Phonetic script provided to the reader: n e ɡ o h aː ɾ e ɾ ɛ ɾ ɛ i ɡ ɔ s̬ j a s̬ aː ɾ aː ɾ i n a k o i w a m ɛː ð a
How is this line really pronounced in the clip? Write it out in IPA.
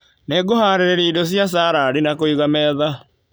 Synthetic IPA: n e ɡ o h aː ɾ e ɾ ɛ ɾ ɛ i d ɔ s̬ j a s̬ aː ɾ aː ɾ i n a k o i ɣ a m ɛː ð a